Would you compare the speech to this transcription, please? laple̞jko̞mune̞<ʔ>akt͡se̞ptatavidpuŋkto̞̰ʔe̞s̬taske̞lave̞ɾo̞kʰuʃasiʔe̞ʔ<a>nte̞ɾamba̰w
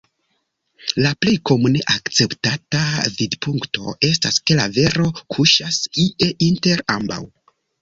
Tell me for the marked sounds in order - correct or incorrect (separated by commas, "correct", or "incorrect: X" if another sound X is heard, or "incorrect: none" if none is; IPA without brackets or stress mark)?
correct, incorrect: i